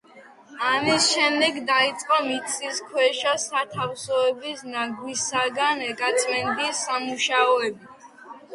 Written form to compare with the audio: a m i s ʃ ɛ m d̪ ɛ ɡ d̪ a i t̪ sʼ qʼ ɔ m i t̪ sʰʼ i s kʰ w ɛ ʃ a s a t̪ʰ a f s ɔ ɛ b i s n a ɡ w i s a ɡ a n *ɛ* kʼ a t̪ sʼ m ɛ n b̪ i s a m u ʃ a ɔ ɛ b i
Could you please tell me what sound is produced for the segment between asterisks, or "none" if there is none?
ɛ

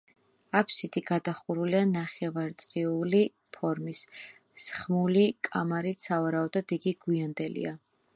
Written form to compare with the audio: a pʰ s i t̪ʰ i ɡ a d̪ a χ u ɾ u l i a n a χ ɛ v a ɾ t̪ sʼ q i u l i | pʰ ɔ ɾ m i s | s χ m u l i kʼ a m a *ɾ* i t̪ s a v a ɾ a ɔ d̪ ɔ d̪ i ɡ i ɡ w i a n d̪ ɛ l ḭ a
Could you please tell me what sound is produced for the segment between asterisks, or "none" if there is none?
ɾ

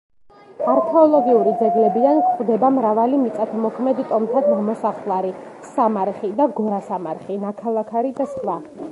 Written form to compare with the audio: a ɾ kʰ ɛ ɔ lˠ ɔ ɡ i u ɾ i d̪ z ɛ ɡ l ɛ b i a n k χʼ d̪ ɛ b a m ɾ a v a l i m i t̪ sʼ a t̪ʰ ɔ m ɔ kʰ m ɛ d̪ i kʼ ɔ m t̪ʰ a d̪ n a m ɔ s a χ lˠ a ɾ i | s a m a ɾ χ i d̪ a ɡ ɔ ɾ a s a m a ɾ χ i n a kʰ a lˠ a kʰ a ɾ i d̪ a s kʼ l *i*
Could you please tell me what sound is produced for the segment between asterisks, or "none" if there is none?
a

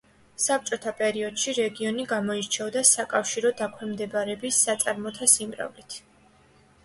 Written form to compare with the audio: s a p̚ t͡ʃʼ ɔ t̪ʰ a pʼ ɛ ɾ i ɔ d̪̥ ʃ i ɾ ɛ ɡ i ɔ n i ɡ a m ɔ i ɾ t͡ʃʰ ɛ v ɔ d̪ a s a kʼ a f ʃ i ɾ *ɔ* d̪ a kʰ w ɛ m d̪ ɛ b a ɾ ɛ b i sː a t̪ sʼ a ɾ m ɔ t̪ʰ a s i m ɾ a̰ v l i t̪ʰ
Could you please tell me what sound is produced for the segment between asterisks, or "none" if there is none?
ɔ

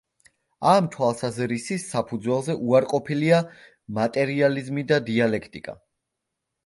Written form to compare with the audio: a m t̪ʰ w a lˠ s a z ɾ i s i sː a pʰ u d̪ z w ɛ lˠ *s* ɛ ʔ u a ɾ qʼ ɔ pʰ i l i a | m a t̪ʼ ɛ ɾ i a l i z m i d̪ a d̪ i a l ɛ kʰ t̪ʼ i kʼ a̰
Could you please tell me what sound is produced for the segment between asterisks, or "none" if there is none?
z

